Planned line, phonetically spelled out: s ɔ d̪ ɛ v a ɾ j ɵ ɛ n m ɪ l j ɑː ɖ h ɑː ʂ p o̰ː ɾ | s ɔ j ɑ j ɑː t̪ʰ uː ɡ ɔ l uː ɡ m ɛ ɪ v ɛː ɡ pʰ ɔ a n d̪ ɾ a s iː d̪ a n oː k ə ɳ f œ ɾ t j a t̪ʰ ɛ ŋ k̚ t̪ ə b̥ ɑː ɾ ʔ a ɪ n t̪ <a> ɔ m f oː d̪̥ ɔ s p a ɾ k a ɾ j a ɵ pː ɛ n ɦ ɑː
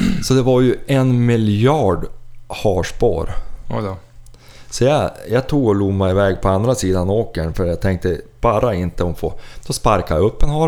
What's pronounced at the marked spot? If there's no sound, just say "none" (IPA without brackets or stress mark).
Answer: ə